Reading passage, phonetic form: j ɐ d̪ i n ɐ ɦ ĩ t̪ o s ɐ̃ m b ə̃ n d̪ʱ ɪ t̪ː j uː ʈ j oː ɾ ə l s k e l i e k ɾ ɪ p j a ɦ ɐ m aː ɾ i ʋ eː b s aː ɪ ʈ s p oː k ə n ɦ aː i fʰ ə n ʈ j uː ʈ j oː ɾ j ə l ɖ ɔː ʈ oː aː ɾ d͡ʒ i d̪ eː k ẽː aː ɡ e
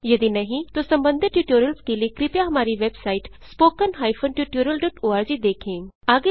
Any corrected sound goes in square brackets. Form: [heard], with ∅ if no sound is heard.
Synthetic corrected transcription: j ɐ d̪ i n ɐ ɦ ĩ t̪ o s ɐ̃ m b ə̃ n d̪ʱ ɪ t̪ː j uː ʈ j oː ɾ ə l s k e l i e k ɾ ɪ p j a ɦ ɐ m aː ɾ i ʋ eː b s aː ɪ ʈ s p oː k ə n ɦ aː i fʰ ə n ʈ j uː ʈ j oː ɾ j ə l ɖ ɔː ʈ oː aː ɾ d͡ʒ i d̪ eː [kʰ] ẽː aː ɡ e